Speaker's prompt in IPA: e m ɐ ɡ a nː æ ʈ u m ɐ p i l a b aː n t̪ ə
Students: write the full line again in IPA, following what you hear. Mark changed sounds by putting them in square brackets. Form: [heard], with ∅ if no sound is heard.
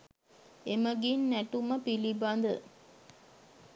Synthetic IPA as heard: e m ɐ ɡ [i] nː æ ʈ u m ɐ p i l [i] b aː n [d̪] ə